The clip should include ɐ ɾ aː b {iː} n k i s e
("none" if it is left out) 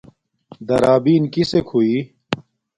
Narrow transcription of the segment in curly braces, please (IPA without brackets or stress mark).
iː